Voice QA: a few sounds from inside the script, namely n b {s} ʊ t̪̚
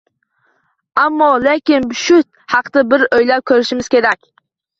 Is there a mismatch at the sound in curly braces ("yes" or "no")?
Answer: yes